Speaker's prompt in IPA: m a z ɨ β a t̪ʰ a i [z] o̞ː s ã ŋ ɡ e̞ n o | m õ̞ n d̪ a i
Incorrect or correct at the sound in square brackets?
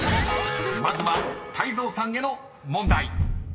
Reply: correct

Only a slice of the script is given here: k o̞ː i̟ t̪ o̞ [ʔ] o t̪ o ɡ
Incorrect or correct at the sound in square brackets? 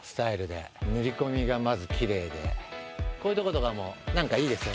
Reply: incorrect: k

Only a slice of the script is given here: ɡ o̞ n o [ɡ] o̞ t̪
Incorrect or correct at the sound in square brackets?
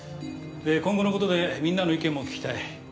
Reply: incorrect: k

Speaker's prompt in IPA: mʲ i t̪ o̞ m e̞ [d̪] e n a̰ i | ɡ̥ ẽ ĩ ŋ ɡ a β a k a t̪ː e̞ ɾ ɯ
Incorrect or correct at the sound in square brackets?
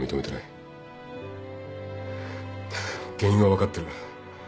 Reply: incorrect: t̪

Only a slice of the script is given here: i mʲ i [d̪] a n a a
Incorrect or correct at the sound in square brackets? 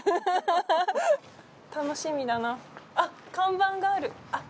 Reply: correct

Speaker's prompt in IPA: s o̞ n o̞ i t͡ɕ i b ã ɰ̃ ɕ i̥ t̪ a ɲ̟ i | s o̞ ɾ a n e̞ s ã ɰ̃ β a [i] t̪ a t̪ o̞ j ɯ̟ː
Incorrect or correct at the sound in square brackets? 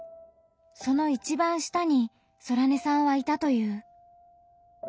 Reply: correct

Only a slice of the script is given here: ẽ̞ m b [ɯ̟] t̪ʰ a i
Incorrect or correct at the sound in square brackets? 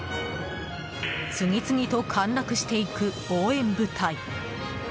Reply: correct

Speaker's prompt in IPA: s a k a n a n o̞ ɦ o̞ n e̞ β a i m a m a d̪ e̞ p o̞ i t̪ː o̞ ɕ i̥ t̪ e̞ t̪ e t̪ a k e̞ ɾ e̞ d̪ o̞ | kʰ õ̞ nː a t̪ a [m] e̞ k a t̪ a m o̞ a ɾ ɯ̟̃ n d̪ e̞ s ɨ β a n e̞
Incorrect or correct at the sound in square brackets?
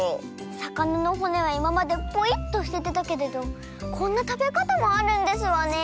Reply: incorrect: b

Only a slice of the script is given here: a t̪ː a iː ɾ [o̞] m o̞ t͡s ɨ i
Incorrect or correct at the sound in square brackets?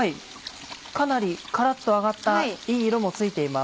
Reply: correct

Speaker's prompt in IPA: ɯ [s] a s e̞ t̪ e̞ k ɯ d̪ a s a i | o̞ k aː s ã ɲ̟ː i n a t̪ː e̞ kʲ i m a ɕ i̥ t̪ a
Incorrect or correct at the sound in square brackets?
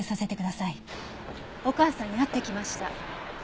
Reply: correct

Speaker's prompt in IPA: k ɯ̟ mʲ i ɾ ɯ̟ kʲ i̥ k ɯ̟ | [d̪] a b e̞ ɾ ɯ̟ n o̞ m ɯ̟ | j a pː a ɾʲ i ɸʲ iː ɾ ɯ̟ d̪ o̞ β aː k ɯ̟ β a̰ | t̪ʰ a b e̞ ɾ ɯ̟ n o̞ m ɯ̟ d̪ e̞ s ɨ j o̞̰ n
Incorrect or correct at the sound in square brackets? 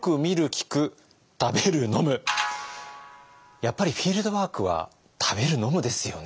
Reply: incorrect: t̪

